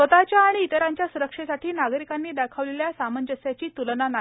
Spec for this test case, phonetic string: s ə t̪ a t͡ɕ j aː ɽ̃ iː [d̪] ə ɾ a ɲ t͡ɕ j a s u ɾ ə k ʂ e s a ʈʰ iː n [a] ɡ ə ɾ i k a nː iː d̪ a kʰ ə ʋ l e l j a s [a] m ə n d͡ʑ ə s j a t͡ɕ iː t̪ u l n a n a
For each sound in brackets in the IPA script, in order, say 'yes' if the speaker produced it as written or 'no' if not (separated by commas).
no, yes, yes